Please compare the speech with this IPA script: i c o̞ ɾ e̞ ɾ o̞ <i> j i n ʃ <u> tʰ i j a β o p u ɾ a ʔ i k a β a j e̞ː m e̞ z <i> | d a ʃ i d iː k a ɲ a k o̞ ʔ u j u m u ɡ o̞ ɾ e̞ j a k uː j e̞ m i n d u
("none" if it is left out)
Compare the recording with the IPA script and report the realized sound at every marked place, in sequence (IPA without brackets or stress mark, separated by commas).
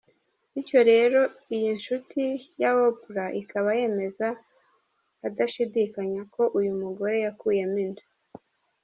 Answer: i, u, a